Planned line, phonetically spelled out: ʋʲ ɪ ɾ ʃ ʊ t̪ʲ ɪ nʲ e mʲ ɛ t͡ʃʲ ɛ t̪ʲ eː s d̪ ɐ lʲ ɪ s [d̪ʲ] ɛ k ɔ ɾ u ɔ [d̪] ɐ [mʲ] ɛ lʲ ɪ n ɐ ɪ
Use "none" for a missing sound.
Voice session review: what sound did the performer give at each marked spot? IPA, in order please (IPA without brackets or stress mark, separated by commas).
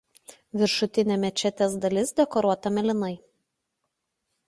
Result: d̪ʲ, t̪, mʲ